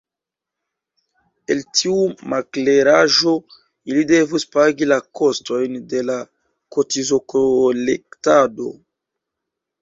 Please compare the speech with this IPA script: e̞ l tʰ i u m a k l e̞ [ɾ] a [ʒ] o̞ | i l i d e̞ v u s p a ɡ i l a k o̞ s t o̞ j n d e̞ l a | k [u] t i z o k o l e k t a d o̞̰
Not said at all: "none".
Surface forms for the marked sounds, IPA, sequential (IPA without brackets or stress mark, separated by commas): ɾ, ʒ, o